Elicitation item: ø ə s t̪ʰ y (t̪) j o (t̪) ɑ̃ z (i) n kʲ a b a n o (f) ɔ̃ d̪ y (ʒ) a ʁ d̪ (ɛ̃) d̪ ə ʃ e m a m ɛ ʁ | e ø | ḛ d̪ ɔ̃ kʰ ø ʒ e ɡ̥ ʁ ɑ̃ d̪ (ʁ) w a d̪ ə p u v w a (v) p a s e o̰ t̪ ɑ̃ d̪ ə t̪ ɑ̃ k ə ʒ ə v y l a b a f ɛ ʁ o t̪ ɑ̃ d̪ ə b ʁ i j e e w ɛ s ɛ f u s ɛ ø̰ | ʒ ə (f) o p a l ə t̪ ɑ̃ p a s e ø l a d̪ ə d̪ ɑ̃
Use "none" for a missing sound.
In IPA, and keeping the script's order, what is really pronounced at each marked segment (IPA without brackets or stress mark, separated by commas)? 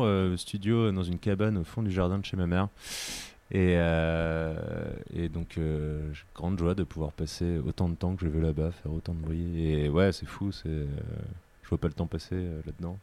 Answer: d̪, d̪, y, f, ʒ, ɛ̃, ʒ, ʁ, v